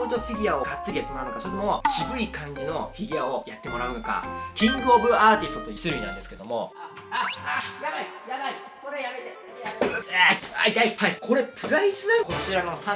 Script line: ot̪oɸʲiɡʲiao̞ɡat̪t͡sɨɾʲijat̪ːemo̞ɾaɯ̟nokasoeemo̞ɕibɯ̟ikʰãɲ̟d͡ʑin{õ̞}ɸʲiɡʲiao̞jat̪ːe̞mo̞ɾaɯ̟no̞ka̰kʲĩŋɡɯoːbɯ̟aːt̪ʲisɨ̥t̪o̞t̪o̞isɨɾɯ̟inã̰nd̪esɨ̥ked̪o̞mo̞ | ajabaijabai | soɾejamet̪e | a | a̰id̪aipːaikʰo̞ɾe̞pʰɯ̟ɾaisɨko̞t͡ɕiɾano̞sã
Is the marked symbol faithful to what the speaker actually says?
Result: no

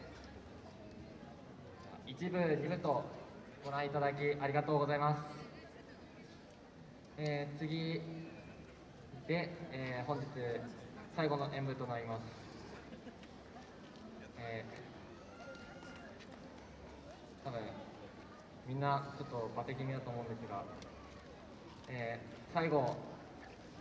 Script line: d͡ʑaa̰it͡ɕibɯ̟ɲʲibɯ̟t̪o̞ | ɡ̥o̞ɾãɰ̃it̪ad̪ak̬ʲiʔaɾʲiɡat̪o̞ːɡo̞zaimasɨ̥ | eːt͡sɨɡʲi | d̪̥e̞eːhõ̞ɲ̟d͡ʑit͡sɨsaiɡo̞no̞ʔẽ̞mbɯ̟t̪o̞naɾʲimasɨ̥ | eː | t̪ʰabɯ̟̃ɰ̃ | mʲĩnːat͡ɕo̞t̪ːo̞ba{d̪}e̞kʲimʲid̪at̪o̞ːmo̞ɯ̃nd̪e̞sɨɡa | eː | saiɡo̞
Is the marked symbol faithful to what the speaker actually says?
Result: no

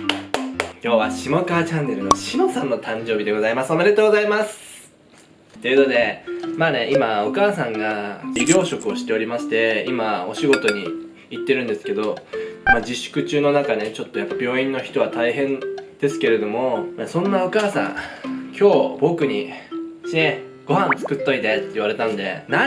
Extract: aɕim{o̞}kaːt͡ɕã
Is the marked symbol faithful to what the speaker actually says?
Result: yes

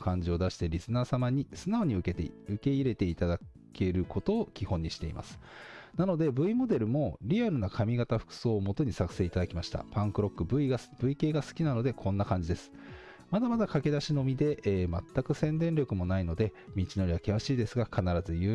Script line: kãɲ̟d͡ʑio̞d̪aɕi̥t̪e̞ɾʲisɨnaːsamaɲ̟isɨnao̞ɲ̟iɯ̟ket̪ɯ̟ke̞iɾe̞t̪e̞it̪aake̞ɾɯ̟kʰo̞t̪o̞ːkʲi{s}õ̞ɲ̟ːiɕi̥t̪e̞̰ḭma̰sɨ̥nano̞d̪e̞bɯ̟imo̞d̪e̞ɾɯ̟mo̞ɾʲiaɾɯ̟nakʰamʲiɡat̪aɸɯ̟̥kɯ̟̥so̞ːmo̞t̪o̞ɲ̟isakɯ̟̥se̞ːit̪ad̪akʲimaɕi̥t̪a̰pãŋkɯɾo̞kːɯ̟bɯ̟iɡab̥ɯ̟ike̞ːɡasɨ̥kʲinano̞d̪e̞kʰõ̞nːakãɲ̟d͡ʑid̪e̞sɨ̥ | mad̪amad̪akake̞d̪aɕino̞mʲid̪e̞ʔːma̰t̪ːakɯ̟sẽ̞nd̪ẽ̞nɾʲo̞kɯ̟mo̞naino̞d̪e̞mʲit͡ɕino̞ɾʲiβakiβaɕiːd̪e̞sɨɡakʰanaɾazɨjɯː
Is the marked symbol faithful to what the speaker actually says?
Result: no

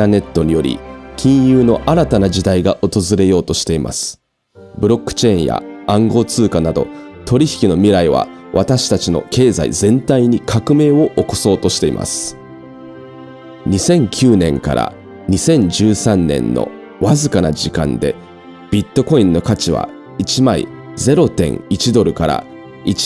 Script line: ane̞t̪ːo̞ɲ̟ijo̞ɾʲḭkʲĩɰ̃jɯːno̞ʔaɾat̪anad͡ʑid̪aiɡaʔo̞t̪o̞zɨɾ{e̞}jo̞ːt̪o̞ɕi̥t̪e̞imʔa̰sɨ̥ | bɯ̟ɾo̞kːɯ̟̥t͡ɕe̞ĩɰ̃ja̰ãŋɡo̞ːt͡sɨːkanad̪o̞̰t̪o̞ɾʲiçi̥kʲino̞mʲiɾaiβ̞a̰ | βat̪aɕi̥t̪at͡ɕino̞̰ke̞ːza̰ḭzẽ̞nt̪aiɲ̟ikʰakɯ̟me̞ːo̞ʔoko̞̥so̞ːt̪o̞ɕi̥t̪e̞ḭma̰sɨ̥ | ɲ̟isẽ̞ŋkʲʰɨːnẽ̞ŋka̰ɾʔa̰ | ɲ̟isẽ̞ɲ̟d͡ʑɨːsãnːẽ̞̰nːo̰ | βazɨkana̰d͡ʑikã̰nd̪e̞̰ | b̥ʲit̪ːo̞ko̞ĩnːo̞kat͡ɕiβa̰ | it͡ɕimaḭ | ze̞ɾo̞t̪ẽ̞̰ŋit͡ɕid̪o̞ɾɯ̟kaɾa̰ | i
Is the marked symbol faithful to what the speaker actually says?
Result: yes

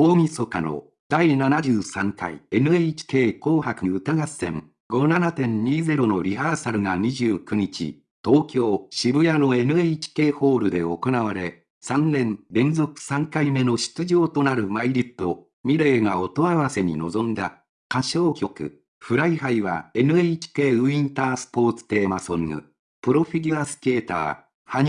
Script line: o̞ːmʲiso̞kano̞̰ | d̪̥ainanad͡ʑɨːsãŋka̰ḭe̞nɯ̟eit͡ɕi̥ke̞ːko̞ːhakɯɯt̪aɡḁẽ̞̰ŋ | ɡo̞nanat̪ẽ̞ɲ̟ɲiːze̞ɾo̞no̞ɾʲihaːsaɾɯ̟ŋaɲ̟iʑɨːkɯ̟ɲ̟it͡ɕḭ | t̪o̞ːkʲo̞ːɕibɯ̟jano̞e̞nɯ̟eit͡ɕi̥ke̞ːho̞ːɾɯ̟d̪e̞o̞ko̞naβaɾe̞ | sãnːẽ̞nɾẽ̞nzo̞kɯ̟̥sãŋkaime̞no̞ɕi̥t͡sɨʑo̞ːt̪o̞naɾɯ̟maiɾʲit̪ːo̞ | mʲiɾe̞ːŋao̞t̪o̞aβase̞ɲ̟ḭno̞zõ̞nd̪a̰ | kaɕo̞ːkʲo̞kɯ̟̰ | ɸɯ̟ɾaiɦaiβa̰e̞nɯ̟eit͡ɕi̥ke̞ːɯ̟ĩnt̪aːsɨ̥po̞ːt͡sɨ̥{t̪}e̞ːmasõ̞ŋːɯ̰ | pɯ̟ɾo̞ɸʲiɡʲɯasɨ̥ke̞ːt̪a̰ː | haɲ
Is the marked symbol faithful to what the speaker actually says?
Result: yes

